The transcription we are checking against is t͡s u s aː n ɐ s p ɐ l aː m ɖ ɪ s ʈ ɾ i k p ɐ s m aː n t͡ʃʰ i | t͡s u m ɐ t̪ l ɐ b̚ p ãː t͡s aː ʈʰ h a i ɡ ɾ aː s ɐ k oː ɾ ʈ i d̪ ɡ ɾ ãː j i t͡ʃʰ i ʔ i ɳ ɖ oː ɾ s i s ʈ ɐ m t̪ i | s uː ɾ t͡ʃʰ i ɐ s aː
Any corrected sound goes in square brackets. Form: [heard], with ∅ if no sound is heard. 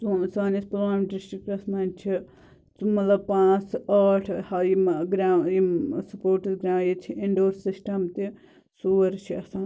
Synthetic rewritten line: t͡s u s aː n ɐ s p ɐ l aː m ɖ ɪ s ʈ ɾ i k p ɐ s m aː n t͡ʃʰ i | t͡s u m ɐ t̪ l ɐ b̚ p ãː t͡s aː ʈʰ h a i ɡ ɾ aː s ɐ [p] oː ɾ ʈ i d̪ ɡ ɾ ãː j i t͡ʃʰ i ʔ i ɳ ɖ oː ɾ s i s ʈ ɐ m t̪ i | s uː ɾ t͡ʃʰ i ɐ s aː